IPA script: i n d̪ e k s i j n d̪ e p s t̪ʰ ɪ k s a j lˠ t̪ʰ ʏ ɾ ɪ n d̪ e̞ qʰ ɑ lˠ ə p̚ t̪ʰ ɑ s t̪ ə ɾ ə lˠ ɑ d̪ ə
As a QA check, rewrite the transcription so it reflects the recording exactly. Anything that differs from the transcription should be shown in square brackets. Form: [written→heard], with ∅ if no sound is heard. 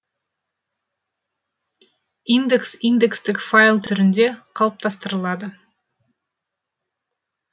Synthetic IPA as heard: i n d̪ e k s i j n d̪ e [p→k] s [t̪ʰ→t̪] ɪ k [s→f] a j lˠ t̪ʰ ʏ ɾ ɪ n d̪ e̞ qʰ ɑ lˠ ə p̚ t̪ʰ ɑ s t̪ ə ɾ ə lˠ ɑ d̪ ə